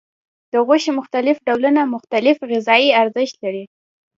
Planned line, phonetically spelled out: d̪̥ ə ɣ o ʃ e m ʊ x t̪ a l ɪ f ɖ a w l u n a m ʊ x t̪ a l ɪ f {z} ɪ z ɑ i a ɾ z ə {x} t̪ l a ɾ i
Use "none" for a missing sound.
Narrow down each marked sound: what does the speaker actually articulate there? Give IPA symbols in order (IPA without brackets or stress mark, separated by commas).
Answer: ɣ, ʃ